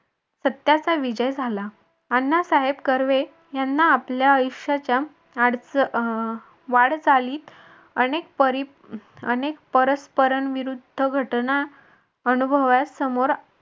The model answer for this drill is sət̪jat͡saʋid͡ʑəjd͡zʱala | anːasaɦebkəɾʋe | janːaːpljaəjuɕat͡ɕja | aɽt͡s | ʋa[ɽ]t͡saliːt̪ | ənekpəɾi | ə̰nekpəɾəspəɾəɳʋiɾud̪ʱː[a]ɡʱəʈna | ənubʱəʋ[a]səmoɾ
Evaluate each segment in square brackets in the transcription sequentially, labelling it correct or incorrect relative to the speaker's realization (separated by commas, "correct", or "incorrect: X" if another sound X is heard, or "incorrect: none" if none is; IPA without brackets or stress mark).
correct, incorrect: ə, correct